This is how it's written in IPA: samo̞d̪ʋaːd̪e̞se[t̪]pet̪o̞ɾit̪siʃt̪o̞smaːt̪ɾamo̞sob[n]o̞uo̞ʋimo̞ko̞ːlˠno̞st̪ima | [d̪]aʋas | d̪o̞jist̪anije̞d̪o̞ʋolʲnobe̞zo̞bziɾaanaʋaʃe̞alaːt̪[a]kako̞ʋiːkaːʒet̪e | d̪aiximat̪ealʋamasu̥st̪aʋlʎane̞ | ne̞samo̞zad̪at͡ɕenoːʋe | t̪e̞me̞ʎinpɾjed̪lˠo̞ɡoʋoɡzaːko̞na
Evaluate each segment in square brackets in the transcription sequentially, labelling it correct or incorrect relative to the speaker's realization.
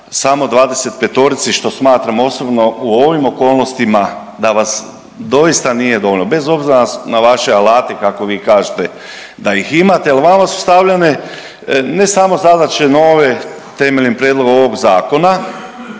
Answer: correct, correct, correct, incorrect: e

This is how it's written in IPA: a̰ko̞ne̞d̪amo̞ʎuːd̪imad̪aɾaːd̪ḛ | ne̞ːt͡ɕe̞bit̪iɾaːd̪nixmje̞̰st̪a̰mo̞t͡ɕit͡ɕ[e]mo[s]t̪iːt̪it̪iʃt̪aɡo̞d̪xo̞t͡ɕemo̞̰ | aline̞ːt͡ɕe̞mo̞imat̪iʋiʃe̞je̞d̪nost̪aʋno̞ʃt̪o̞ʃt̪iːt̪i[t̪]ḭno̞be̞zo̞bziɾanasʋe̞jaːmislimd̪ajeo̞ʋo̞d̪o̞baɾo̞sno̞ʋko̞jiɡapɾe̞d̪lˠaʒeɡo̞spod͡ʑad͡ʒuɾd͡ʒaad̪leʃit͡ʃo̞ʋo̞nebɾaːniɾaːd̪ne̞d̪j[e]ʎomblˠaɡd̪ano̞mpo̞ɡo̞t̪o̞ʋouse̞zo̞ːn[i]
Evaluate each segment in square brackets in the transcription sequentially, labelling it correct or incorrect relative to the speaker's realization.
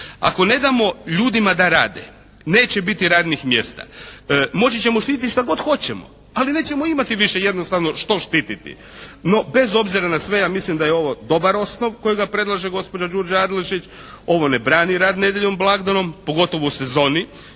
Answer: correct, incorrect: ʃ, correct, correct, correct

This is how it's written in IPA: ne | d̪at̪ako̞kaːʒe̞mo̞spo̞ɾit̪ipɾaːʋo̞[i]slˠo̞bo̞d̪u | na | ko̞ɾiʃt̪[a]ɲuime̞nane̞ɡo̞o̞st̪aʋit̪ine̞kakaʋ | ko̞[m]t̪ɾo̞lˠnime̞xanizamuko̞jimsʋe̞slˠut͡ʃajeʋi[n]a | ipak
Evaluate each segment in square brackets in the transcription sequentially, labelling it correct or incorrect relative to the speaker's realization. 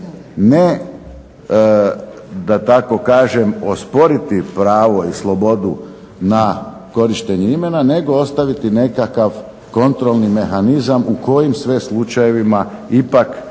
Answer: correct, incorrect: e, incorrect: n, incorrect: m

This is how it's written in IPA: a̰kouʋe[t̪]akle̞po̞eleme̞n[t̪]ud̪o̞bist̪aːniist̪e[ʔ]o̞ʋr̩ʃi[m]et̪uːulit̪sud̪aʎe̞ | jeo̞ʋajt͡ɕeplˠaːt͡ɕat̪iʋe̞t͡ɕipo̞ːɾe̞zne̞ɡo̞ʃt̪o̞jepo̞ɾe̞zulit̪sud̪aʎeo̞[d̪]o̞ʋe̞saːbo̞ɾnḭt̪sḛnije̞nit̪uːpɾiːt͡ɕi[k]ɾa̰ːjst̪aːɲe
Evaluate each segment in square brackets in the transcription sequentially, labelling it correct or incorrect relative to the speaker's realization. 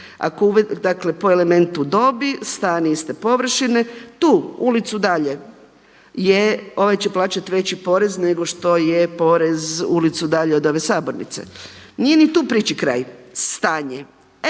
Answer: incorrect: d̪, correct, incorrect: p, incorrect: n, correct, correct

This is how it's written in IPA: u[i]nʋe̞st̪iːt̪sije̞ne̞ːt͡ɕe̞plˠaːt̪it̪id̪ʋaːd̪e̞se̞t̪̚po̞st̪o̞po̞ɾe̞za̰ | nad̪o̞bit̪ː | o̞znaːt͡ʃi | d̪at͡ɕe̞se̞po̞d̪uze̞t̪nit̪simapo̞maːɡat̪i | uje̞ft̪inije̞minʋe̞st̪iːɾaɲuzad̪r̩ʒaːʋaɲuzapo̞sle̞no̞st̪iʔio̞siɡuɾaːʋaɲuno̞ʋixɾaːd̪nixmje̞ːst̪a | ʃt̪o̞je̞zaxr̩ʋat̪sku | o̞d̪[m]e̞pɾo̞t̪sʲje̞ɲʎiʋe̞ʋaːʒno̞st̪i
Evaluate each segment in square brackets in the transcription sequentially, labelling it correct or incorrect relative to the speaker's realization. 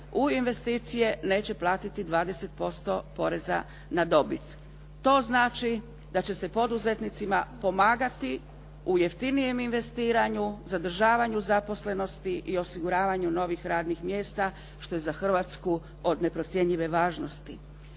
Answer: correct, incorrect: n

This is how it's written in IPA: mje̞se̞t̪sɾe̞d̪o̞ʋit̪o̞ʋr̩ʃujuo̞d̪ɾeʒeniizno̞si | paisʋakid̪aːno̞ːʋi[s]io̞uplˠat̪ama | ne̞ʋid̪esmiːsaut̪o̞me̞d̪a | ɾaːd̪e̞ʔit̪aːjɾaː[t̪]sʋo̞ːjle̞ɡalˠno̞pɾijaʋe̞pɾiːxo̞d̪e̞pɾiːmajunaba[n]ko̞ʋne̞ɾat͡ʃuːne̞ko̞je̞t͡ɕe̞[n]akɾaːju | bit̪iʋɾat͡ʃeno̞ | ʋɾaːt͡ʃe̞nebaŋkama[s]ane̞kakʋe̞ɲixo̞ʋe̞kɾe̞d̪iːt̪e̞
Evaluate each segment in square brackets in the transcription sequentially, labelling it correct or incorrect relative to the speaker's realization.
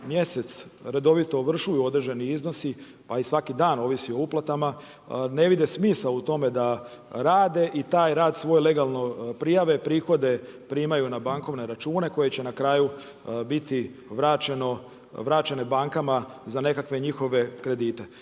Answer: correct, incorrect: d̪, incorrect: ŋ, correct, incorrect: z

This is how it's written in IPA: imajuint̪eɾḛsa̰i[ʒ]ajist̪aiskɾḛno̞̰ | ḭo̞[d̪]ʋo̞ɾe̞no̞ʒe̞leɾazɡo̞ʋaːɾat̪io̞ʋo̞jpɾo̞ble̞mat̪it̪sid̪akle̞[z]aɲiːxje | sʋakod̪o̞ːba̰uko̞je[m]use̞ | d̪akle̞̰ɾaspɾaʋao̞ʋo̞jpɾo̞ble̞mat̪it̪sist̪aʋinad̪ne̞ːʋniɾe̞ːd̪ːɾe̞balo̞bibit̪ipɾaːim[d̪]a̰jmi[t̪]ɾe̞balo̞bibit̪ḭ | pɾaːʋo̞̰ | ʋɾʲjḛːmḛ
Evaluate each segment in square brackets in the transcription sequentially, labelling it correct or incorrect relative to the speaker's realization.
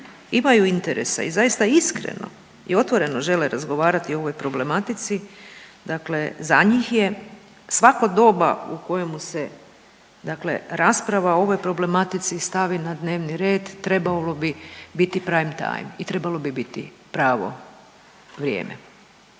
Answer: incorrect: z, incorrect: t̪, correct, correct, incorrect: t̪, correct

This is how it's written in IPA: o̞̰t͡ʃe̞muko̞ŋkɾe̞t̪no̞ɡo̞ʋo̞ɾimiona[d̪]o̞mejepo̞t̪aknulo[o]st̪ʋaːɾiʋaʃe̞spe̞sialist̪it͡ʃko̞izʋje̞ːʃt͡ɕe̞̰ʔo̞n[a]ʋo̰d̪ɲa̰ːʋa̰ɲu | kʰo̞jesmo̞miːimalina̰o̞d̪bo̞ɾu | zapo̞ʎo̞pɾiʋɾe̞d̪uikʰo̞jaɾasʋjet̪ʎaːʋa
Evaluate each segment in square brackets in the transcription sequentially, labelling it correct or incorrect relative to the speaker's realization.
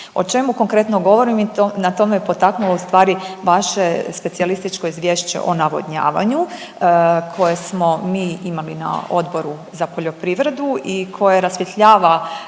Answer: incorrect: t̪, incorrect: u, correct

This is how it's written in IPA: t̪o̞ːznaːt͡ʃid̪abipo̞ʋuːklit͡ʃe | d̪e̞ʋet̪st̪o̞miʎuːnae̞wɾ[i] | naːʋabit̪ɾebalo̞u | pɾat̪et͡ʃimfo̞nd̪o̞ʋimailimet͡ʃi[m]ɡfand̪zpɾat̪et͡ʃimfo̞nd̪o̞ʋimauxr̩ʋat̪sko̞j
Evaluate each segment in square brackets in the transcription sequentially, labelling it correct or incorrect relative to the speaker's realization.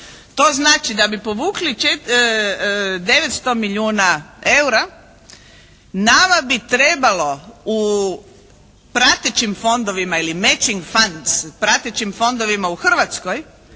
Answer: incorrect: a, incorrect: ŋ

